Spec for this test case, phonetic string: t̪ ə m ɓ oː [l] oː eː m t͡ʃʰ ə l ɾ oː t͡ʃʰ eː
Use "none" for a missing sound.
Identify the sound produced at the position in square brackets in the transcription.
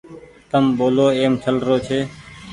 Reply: l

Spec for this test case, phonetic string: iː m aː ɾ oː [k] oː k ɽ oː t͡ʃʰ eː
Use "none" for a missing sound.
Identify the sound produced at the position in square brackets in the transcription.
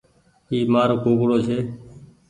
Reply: k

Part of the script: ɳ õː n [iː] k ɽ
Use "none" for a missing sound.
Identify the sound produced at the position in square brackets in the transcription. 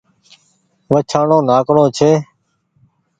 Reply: aː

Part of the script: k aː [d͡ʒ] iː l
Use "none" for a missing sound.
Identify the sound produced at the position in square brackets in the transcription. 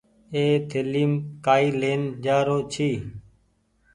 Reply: none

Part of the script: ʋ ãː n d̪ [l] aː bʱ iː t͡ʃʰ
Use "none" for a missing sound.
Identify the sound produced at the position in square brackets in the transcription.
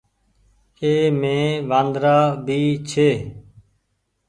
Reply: ɾ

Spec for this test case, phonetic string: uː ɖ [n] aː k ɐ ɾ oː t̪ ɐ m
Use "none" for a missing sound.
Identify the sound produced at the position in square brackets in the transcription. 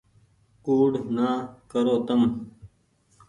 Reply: n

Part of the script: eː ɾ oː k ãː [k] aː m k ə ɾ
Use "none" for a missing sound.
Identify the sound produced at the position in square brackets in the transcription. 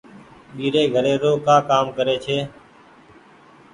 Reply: k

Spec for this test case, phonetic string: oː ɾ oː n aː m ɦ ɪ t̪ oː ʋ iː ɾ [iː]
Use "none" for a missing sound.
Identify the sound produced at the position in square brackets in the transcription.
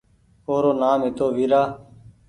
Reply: aː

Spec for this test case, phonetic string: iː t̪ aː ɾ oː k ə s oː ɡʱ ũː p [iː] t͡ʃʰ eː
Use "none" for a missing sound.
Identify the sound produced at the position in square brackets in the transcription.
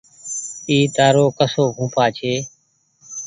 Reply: aː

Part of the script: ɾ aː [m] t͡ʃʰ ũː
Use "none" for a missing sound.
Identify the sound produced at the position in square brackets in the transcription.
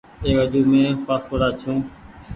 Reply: none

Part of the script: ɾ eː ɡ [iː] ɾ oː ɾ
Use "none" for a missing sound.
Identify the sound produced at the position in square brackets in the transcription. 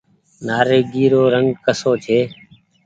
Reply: iː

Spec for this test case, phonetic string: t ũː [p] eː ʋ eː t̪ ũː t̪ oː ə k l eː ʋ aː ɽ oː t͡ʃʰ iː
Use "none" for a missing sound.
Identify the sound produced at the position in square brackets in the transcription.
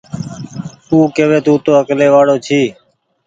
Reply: k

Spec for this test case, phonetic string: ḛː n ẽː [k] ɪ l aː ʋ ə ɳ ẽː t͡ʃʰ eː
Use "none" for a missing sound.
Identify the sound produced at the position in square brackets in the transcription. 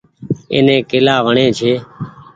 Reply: k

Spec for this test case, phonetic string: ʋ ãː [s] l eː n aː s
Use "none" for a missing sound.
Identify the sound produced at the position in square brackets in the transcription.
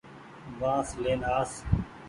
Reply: s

